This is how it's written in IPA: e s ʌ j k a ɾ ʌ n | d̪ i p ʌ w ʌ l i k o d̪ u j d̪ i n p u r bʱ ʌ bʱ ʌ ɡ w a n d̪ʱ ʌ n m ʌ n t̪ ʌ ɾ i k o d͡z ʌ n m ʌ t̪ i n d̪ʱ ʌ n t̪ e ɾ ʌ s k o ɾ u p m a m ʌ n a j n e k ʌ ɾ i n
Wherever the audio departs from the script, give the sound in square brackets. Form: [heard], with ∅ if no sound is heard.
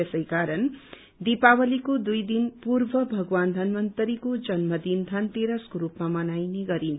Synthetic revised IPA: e s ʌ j k a ɾ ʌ n | d̪ i p [a] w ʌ l i k o d̪ u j d̪ i n p u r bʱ ʌ bʱ ʌ ɡ w a n d̪ʱ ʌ n m ʌ n t̪ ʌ ɾ i k o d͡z ʌ n m ʌ [d̪] i n d̪ʱ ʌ n t̪ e ɾ ʌ s k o ɾ u p m a m ʌ n a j n e [ɡ] ʌ ɾ i n